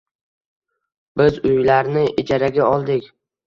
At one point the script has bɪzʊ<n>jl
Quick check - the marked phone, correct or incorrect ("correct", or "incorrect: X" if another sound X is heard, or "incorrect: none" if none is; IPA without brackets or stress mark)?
incorrect: none